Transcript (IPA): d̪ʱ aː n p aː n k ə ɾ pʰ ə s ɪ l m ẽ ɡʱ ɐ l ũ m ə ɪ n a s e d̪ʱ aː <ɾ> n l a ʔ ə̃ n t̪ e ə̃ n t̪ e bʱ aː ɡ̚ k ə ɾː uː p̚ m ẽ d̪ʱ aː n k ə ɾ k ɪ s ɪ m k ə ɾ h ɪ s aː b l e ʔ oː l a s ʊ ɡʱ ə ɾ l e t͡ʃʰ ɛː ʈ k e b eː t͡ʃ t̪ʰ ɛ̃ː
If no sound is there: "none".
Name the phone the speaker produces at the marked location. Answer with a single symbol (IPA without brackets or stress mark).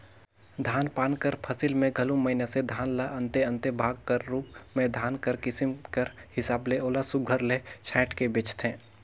none